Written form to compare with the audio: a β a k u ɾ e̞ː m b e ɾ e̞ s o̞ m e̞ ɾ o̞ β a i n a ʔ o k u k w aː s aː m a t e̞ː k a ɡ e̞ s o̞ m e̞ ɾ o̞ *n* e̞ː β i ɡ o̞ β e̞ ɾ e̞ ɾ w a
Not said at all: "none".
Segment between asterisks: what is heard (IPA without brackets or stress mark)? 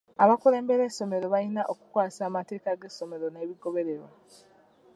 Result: n